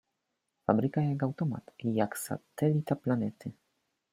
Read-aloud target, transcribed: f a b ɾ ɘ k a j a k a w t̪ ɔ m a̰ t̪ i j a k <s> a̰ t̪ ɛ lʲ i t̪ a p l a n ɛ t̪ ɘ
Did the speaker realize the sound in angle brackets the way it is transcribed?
yes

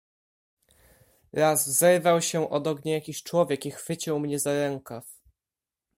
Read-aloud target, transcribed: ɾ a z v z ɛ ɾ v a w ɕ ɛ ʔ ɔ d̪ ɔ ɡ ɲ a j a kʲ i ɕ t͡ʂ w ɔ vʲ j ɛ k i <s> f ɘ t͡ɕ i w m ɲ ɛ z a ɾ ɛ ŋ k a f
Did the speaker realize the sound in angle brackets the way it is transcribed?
no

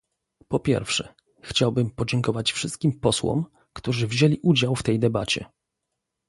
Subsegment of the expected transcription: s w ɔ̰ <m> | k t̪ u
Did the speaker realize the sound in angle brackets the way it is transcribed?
yes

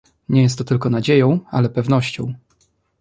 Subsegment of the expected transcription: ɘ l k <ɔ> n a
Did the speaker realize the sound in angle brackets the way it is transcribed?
yes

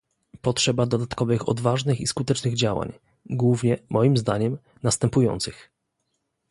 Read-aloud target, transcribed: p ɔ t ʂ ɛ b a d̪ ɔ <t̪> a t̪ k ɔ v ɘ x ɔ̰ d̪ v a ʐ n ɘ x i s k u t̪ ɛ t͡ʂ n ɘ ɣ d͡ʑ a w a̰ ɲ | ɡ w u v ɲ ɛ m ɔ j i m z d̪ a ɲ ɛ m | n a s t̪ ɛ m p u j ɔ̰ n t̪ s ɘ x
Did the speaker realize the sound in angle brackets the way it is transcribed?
no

